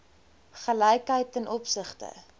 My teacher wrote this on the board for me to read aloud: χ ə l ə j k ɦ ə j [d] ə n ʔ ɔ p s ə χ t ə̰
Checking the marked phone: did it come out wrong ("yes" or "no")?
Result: yes